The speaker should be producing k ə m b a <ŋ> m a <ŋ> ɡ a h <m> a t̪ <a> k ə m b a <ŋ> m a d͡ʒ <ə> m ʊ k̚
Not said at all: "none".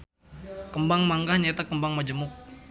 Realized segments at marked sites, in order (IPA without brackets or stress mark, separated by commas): ŋ, ŋ, ɲ, a, ŋ, ə